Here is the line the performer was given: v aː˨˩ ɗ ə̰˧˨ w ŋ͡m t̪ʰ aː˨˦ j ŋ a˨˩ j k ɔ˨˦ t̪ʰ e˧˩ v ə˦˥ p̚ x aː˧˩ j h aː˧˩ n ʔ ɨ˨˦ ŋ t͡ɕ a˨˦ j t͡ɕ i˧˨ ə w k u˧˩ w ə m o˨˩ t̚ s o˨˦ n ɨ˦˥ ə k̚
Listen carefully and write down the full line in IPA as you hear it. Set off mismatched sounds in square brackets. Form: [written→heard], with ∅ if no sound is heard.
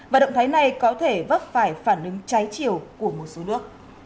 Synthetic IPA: v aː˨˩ ɗ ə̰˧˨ w ŋ͡m t̪ʰ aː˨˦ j [ŋ→n] a˨˩ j k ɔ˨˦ t̪ʰ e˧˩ v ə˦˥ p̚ [x→f] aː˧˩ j [h→f] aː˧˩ n ʔ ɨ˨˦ ŋ t͡ɕ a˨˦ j t͡ɕ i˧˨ ə w k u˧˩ [w→∅] ə m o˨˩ t̚ s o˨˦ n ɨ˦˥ ə k̚